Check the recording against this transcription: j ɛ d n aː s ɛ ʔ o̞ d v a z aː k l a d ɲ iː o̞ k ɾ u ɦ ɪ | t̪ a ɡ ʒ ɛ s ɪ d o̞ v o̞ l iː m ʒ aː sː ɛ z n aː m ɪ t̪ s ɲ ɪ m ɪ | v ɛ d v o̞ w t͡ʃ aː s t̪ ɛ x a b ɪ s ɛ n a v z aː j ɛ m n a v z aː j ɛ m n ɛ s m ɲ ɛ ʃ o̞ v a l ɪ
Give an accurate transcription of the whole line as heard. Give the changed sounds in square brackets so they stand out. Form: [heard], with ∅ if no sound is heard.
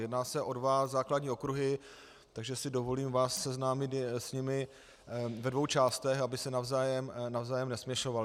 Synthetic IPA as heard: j ɛ d n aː s ɛ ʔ o̞ d v a z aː k l a d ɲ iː o̞ k ɾ u ɦ ɪ | t̪ a ɡ ʒ ɛ s ɪ d o̞ v o̞ l iː m [v] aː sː ɛ z n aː m ɪ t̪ s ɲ ɪ m ɪ | v ɛ d v o̞ w t͡ʃ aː s t̪ ɛ x a b ɪ s ɛ n a v z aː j ɛ m n a v z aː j ɛ m n ɛ s m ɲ ɛ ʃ o̞ v a l ɪ